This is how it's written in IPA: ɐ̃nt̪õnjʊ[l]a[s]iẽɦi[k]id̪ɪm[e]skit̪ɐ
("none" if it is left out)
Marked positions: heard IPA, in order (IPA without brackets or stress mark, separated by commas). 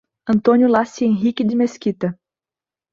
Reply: l, s, k, e